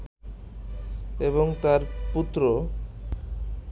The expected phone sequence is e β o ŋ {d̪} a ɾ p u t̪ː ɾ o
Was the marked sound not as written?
yes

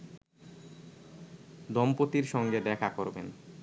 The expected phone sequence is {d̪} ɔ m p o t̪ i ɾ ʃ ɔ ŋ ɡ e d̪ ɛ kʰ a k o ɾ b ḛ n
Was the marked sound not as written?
no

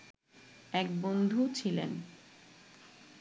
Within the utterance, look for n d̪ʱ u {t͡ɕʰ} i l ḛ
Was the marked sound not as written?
no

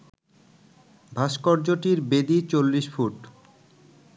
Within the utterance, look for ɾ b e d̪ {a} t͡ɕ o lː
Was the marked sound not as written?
yes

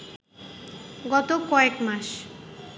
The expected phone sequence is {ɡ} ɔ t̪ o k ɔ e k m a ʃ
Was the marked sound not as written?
no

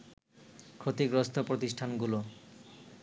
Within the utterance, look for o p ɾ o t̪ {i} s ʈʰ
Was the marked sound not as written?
no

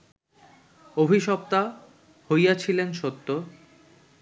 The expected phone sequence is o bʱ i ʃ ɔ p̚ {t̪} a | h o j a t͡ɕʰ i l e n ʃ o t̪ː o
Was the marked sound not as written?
no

